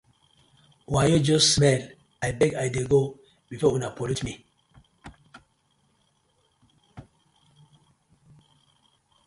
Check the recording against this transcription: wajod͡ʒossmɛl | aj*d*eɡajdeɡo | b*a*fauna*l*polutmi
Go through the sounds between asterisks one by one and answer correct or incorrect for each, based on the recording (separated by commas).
incorrect, incorrect, incorrect